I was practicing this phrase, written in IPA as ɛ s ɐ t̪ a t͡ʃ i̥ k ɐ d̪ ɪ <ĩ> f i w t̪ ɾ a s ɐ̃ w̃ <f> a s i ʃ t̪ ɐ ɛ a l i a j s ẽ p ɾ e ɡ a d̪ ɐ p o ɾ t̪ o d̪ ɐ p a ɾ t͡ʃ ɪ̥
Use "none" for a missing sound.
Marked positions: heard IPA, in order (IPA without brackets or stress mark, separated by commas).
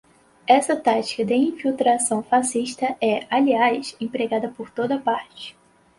ĩ, f